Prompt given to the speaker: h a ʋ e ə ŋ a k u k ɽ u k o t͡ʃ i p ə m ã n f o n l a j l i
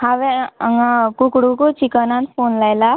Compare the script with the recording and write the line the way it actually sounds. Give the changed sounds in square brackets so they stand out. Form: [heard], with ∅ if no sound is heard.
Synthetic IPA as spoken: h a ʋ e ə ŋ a k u k ɽ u k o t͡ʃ i [k] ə [n] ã n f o n l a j l [a]